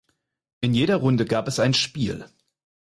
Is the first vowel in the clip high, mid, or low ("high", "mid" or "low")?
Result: high